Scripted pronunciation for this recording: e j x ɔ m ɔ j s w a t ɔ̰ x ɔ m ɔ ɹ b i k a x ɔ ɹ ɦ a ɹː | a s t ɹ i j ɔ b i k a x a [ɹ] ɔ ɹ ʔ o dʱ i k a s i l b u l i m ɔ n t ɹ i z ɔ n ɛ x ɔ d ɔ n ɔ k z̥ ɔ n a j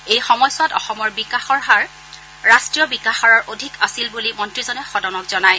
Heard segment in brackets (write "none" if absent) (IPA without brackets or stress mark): ɹ